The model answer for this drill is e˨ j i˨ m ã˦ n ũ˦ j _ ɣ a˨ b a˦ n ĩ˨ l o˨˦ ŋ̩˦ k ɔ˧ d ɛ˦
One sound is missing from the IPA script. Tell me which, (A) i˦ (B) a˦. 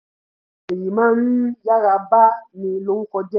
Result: B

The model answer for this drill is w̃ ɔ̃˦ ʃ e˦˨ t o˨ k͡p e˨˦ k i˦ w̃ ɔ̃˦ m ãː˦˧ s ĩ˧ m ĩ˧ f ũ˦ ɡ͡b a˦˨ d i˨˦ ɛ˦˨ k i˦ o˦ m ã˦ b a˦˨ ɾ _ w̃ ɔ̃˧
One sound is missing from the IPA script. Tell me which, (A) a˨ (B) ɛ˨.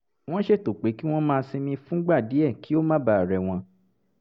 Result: B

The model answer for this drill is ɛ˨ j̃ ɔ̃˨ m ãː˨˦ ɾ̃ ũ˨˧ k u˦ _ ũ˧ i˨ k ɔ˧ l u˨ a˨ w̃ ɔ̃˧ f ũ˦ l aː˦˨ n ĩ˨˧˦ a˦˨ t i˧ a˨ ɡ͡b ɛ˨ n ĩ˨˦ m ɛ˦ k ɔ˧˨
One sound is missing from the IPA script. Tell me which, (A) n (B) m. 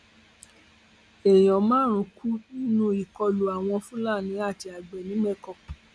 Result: A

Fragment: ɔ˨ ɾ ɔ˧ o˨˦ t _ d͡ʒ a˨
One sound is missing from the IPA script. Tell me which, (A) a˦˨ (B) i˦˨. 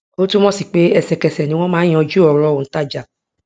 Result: A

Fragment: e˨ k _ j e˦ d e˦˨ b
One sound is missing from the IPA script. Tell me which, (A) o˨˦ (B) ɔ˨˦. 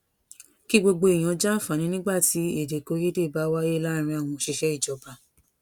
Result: A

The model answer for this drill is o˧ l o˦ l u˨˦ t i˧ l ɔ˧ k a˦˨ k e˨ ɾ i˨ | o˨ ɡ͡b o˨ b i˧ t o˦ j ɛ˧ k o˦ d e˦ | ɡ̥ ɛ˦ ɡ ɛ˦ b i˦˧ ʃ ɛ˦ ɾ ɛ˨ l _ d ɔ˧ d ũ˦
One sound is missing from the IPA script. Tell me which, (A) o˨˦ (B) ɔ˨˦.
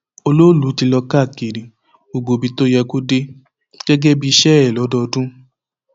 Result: B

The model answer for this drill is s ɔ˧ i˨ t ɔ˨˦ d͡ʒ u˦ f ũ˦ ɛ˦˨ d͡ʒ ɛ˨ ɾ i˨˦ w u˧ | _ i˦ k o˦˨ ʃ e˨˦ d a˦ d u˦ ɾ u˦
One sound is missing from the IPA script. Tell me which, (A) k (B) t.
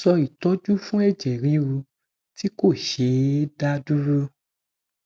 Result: B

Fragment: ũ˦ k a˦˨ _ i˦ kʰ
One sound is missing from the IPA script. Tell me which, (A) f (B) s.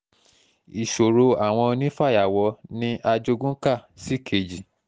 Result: B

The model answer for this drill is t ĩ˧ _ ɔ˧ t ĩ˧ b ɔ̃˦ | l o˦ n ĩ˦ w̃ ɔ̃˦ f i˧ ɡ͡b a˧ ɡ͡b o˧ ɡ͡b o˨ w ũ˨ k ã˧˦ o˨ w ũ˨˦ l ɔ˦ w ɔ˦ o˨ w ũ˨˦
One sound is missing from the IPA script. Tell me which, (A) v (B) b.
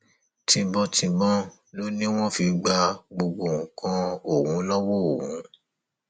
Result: B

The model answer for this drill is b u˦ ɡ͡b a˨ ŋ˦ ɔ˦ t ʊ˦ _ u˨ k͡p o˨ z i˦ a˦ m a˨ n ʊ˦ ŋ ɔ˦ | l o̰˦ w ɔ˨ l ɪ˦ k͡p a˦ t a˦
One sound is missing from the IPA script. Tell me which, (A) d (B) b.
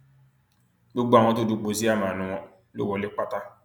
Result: A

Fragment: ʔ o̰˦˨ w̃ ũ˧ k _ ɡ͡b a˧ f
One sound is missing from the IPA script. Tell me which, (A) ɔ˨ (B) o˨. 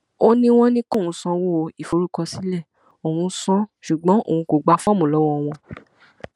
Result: B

